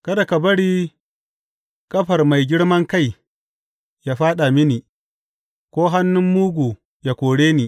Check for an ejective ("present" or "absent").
present